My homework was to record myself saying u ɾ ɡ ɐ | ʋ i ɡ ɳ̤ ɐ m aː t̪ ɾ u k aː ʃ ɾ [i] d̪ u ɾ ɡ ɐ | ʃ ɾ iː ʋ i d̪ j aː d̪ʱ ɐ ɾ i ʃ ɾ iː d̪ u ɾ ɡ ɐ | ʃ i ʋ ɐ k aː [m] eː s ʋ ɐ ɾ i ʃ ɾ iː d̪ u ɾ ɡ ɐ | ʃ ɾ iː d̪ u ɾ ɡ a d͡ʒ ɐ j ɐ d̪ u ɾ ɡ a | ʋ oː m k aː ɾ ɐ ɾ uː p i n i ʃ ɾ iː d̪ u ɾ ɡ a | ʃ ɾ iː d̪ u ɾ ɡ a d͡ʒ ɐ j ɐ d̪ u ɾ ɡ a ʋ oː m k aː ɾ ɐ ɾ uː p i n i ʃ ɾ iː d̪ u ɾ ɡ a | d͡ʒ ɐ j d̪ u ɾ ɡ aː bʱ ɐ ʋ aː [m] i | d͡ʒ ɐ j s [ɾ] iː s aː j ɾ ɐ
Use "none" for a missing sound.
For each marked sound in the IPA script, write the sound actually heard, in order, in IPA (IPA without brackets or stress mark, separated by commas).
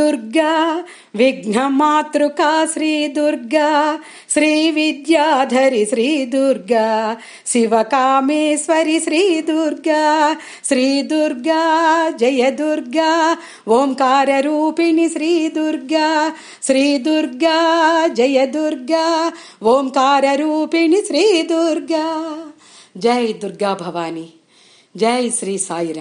iː, m, n, ɾ